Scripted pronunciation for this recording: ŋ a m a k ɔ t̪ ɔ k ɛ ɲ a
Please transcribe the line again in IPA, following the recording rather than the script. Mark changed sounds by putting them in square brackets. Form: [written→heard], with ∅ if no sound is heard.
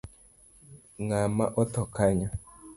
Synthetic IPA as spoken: ŋ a m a [k→ʔ] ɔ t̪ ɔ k [ɛ→a] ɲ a